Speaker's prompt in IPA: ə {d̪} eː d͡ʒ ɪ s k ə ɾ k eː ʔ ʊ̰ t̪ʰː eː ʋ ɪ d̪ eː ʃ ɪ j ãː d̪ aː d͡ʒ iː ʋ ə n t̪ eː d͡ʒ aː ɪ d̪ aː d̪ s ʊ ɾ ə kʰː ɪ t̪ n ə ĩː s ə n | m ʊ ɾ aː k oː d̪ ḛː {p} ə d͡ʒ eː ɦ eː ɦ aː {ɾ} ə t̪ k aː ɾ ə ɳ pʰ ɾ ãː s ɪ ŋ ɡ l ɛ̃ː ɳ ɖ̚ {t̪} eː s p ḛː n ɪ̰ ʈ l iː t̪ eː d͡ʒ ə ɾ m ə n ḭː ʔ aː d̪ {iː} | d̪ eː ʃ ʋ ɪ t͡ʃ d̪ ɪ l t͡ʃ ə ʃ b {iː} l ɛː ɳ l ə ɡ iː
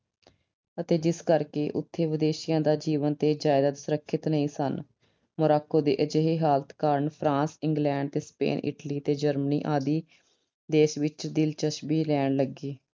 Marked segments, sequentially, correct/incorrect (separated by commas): incorrect, incorrect, incorrect, correct, correct, correct